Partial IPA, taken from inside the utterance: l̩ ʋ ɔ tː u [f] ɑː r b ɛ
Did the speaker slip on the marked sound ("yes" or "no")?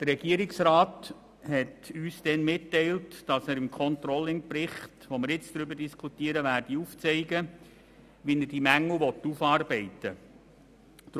no